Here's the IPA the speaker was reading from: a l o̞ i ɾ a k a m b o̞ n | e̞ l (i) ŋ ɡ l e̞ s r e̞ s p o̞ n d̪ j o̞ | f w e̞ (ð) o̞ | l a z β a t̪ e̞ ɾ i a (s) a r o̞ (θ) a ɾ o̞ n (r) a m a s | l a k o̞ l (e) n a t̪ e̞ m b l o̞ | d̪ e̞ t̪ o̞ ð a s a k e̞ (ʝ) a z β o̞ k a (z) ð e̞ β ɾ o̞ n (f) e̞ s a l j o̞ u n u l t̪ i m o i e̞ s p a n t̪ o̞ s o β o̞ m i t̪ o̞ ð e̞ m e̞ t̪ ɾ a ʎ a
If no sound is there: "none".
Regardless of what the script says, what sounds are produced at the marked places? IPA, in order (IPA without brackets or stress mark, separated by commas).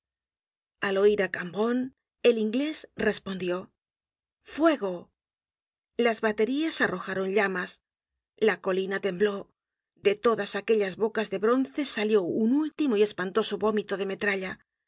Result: i, ɣ, s, x, ʎ, i, ʎ, z, θ